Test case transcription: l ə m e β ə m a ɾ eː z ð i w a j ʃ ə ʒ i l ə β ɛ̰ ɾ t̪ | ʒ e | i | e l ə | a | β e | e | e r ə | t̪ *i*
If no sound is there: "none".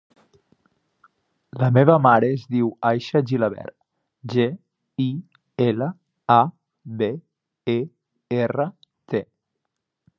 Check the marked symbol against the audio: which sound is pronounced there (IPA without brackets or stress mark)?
e